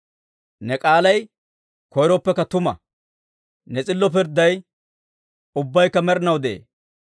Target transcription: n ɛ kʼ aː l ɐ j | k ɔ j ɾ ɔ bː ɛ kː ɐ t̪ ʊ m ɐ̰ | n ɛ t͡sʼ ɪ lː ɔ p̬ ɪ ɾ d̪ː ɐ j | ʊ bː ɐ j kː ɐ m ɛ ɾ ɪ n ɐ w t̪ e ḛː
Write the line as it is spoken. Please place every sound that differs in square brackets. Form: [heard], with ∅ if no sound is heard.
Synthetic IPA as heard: n ɛ kʼ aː l ɐ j | k ɔ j ɾ ɔ [pː] ɛ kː ɐ t̪ ʊ m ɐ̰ | n ɛ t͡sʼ ɪ lː ɔ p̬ ɪ ɾ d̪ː ɐ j | ʊ bː ɐ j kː ɐ m ɛ ɾ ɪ n ɐ w [d̪] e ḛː